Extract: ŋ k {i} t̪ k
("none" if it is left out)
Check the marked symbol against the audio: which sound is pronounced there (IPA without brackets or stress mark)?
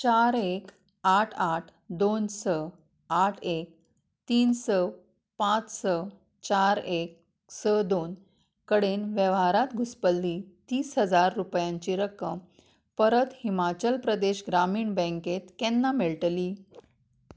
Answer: e